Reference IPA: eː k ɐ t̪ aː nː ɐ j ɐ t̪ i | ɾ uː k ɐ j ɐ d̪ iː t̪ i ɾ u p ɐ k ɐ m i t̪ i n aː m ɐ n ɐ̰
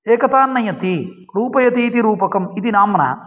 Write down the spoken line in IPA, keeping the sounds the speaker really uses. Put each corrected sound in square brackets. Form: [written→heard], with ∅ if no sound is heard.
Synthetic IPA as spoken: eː k ɐ t̪ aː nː ɐ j ɐ t̪ i | ɾ uː [k→p] ɐ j ɐ [d̪→t̪] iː t̪ i ɾ [u→uː] p ɐ k ɐ m i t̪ i n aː m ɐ n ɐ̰

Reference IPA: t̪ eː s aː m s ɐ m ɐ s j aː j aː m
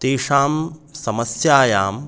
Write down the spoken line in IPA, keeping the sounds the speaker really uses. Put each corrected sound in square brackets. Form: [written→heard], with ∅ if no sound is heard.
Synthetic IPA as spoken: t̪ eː [s→ʂ] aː m s ɐ m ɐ s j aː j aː m

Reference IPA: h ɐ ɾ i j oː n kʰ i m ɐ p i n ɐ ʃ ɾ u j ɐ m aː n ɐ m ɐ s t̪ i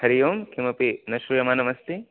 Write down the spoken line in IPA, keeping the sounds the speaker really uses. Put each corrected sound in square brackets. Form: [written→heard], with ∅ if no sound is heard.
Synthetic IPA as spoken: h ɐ ɾ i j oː [n→m] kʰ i m ɐ p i n ɐ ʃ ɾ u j ɐ m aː n ɐ m ɐ s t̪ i

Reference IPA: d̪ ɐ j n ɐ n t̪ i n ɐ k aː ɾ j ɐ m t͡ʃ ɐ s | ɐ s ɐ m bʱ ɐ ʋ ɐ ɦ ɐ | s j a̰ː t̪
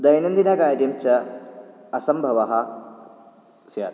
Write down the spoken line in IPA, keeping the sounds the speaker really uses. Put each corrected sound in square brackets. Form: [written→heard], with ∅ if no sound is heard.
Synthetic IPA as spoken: d̪ ɐ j n ɐ n [t̪→d̪] i n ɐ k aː ɾ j ɐ m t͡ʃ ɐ [s→∅] | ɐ s ɐ m bʱ ɐ ʋ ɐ ɦ ɐ | s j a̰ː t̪

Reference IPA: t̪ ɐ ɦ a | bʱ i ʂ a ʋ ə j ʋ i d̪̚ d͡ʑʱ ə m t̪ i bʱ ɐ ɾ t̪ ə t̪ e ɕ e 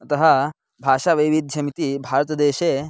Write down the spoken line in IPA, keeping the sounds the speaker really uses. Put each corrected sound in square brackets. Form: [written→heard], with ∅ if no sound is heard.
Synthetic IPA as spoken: t̪ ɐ ɦ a | bʱ [i→a] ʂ a ʋ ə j ʋ i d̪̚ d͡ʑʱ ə m t̪ i bʱ [ɐ→a] ɾ t̪ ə [t̪→d̪] e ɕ e

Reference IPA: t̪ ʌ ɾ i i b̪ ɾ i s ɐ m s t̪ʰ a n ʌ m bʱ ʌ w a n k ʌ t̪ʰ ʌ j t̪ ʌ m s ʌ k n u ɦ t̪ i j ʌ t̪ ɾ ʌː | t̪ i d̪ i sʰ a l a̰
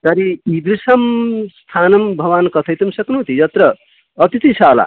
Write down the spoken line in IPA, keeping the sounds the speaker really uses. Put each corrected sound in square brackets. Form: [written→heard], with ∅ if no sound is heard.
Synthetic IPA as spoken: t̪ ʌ ɾ i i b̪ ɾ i s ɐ m s t̪ʰ a n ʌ m bʱ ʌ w a n k ʌ t̪ʰ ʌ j t̪ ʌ m s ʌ k n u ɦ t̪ i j ʌ t̪ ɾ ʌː | t̪ i [d̪→t̪] i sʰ a l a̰

